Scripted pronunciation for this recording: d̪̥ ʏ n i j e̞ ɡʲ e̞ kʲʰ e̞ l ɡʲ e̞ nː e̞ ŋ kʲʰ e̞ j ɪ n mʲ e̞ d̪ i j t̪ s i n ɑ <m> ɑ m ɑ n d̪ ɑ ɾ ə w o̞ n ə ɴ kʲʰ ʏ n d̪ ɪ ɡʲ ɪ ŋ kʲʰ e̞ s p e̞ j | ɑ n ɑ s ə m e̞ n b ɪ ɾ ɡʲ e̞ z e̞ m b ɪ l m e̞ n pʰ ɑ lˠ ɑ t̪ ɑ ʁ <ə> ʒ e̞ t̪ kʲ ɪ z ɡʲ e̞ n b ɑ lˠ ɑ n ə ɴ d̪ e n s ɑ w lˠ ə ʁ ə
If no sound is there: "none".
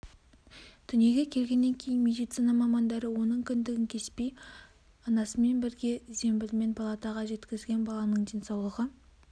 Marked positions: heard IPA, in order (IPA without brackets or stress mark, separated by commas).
m, ɑ